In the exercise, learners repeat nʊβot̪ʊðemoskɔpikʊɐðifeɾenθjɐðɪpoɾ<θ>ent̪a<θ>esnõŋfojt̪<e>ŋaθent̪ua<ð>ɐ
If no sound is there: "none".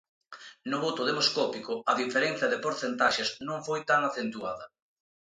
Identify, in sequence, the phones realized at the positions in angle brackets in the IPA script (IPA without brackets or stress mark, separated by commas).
θ, ʃ, a, ð